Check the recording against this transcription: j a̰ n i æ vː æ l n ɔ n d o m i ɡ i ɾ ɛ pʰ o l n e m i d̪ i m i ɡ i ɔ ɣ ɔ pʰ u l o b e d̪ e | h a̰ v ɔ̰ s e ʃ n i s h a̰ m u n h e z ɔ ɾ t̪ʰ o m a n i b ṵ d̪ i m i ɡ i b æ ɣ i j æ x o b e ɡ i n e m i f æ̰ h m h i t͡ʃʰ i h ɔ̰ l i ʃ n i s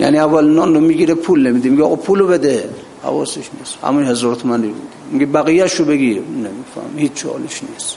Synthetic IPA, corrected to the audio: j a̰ n i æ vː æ l n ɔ n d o m i ɡ i ɾ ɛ pʰ u l n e m i d̪ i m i ɡ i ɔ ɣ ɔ pʰ u l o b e d̪ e | h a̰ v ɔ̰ s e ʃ n i s h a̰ m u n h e z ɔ ɾ t̪ʰ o m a n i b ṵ d̪ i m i ɡ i b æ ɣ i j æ ʃ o b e ɡ i n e m i f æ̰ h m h i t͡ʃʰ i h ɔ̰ l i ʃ n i s